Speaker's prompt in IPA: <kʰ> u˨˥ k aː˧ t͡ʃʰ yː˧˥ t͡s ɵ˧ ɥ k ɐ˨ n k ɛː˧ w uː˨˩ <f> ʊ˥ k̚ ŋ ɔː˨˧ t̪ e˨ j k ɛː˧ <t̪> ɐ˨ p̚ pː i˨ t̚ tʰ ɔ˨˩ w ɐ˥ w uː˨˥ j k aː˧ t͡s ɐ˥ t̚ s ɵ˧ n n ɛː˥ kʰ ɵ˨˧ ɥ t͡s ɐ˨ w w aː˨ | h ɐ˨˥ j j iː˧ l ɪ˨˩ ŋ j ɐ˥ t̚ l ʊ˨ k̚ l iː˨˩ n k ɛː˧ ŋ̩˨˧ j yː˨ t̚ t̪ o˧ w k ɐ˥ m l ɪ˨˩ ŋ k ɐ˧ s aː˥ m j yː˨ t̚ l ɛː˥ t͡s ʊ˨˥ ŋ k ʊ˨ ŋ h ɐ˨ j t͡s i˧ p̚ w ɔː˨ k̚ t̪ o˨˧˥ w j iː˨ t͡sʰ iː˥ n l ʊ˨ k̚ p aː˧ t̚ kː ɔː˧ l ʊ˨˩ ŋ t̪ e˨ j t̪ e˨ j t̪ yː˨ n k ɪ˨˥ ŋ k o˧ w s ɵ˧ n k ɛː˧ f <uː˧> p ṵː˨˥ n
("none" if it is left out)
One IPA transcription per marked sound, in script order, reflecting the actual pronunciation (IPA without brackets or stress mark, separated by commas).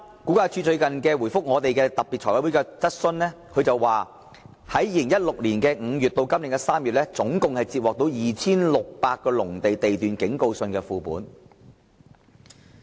k, f, t̪, uː˧